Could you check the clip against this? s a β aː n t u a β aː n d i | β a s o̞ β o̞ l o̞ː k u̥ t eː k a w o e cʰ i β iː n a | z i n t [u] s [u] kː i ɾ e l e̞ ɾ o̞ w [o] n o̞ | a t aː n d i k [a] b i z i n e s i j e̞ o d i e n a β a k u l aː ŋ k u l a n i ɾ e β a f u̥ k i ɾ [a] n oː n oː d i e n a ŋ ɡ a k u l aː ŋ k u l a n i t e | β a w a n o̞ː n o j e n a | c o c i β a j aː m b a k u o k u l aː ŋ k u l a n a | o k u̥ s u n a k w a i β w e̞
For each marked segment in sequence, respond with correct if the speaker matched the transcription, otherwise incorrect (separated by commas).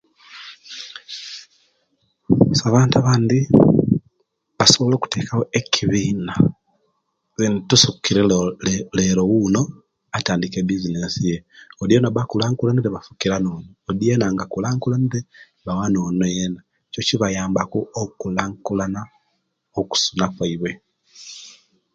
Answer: correct, correct, incorrect, incorrect, correct